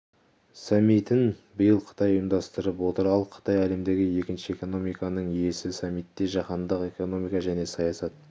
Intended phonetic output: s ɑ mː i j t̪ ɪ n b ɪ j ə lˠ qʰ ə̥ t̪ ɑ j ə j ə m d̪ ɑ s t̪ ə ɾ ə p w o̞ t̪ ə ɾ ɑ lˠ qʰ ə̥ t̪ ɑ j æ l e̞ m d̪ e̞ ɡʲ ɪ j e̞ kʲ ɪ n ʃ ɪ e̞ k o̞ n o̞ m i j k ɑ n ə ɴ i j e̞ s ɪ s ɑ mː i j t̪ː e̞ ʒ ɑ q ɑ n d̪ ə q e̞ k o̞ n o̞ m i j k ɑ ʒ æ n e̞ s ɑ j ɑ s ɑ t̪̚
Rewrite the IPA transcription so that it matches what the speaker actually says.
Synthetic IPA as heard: s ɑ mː i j t̪ ɪ n b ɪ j ə lˠ qʰ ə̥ t̪ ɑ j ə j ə m d̪ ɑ s t̪ ə ɾ ə p w o̞ t̪ ə ɾ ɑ lˠ qʰ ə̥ t̪ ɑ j æ l e̞ m d̪ e̞ ɡʲ ɪ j e̞ kʲ ɪ n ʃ ɪ e̞ k o̞ n o̞ m i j k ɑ n ə ɴ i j e̞ s ɪ s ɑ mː i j t̪ː e̞ ʒ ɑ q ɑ n d̪ ə q e̞ k o̞ n o̞ m i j k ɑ ʒ æ n e̞ s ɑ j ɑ s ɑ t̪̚